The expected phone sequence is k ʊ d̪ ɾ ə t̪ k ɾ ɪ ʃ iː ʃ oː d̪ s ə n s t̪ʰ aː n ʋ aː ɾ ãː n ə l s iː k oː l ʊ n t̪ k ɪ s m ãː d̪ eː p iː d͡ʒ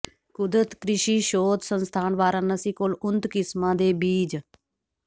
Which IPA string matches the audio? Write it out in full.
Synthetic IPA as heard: k ʊ d̪ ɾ ə t̪ k ɾ ɪ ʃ iː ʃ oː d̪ s ə n s t̪ʰ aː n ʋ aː ɾ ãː n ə s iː k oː l ʊ n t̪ k ɪ s m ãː d̪ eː b iː d͡ʒ